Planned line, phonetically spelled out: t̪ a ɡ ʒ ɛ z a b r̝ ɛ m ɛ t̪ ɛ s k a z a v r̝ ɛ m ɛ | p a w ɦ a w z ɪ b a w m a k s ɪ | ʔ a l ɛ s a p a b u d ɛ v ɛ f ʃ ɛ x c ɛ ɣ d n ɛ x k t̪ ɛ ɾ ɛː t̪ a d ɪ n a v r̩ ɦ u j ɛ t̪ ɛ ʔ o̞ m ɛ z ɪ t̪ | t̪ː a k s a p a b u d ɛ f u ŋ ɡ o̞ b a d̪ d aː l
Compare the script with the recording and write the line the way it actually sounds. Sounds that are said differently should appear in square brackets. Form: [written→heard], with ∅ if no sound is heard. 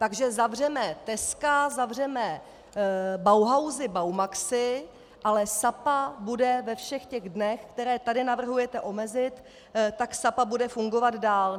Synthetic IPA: t̪ a ɡ ʒ ɛ z a [b→v] r̝ ɛ m ɛ t̪ ɛ s k a z a v r̝ ɛ m ɛ | [p→b] a w ɦ a w z ɪ b a w m a k s ɪ | ʔ a l ɛ s a p a b u d ɛ v ɛ f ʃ ɛ x c ɛ ɣ d n ɛ x k t̪ ɛ ɾ ɛː t̪ a d ɪ n a v r̩ ɦ u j ɛ t̪ ɛ ʔ o̞ m ɛ z ɪ t̪ | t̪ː a k s a p a b u d ɛ f u ŋ ɡ o̞ [b→v] a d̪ d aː l

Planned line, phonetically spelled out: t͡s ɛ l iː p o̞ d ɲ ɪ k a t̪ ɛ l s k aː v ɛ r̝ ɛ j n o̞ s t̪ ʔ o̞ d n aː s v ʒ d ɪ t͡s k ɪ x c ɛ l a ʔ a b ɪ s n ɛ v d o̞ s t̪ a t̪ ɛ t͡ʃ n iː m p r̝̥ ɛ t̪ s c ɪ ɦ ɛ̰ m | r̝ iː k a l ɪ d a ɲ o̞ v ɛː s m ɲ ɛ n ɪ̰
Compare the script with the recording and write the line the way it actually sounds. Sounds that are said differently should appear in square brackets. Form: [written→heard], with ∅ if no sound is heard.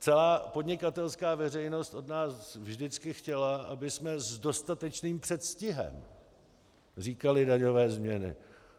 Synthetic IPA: t͡s ɛ l [iː→aː] p o̞ d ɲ ɪ k a t̪ ɛ l s k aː v ɛ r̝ ɛ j n o̞ s t̪ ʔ o̞ d n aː s v ʒ d ɪ t͡s k ɪ x c ɛ l a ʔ a b ɪ s [n→m] ɛ [v→z] d o̞ s t̪ a t̪ ɛ t͡ʃ n iː m p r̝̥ ɛ t̪ s c ɪ ɦ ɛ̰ m | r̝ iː k a l ɪ d a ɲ o̞ v ɛː [s→z] m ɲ ɛ n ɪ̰

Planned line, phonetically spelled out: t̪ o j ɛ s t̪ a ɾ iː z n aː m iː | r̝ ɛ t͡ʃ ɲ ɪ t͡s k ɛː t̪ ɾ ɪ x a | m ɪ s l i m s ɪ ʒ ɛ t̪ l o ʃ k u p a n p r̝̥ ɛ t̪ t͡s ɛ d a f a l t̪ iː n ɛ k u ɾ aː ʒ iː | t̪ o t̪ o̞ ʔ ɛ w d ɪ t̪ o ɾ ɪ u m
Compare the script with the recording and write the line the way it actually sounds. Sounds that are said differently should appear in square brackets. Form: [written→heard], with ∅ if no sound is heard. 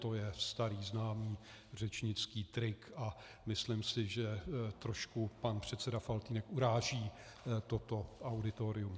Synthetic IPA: t̪ o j ɛ s t̪ a ɾ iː z n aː m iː | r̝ ɛ t͡ʃ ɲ ɪ t͡s k [ɛː→iː] t̪ ɾ ɪ [x→k] a | m ɪ s l [i→ɪ] m s ɪ ʒ ɛ t̪ [l→ɾ] o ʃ k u p a n p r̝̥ ɛ t̪ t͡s ɛ d a f a l t̪ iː n ɛ k u ɾ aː ʒ iː | t̪ o t̪ o̞ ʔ [ɛ→a] w d ɪ t̪ o ɾ ɪ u m

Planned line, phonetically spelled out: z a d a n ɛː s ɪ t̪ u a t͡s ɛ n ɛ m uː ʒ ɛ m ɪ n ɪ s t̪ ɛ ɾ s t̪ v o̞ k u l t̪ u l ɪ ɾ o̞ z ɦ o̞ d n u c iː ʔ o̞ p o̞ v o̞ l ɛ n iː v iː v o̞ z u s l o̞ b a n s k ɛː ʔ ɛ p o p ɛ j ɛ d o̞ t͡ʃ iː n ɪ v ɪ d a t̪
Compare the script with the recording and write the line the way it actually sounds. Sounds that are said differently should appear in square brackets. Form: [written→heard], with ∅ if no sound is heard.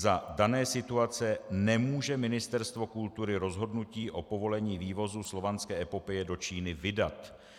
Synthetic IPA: z a d a n ɛː s ɪ t̪ u a t͡s ɛ n ɛ m uː ʒ ɛ m ɪ n ɪ s t̪ ɛ ɾ s t̪ v o̞ k u l t̪ u [l→ɾ] ɪ ɾ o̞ z ɦ o̞ d n u c iː ʔ o̞ p o̞ v o̞ l ɛ [n→ɲ] iː v iː v o̞ z u s l o̞ [b→v] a n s k ɛː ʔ ɛ p o p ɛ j ɛ d o̞ t͡ʃ iː n ɪ v ɪ d a t̪

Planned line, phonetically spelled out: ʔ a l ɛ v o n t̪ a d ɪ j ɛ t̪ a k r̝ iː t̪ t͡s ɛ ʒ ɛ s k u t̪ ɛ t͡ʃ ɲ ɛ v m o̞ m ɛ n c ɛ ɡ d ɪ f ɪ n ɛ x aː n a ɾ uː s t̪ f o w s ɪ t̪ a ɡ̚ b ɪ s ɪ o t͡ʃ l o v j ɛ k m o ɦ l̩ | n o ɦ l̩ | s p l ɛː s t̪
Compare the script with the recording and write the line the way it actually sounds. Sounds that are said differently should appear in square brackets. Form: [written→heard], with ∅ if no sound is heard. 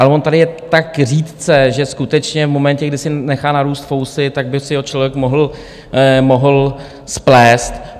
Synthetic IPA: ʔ a l ɛ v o n t̪ a d ɪ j ɛ t̪ a k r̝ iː t̪ t͡s ɛ ʒ ɛ s k u t̪ ɛ t͡ʃ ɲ ɛ v m o̞ m ɛ n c ɛ ɡ d ɪ [f→s] ɪ n ɛ x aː n a ɾ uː s t̪ f o w s ɪ t̪ a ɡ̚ b ɪ s ɪ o t͡ʃ l o v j ɛ k m o ɦ l̩ | [n→m] o ɦ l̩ | s p l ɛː s t̪

